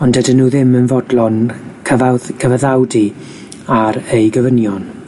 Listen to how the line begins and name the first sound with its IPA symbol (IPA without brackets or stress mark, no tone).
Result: ɔ